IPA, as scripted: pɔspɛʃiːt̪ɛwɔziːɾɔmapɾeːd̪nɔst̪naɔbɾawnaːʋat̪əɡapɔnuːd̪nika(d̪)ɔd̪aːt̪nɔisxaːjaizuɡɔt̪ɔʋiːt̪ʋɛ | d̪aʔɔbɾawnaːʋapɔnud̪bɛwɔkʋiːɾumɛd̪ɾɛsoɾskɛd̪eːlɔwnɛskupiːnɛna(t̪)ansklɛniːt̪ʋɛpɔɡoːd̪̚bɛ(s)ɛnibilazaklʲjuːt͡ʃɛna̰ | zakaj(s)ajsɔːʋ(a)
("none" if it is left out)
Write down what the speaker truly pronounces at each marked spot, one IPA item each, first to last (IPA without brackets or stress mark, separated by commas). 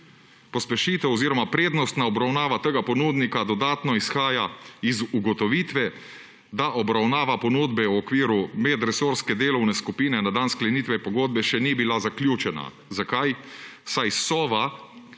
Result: d̪, d̪, ʃ, s, a